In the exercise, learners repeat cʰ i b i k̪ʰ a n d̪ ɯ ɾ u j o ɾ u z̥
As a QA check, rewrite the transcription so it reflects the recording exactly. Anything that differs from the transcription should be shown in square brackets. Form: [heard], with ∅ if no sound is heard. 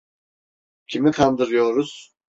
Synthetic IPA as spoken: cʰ i [m] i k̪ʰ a n d̪ ɯ ɾ [ɯ] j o ɾ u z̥